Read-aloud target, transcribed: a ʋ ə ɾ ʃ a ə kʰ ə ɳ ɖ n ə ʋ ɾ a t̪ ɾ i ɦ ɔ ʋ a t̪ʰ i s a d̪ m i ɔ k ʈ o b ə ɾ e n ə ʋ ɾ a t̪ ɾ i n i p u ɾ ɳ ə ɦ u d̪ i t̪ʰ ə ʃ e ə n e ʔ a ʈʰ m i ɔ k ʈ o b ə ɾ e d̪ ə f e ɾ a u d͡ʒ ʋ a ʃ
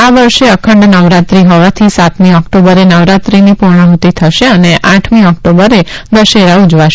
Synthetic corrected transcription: a ʋ ə ɾ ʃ e ə kʰ ə ɳ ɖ n ə ʋ ɾ a t̪ ɾ i ɦ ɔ ʋ a t̪ʰ i s a t̪ m i ɔ k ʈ o b ə ɾ e n ə ʋ ɾ a t̪ ɾ i n i p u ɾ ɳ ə ɦ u t̪ i t̪ʰ ə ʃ e ə n e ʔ a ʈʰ m i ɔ k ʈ o b ə ɾ e d̪ ə ʃ e ɾ a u d͡ʒ ʋ a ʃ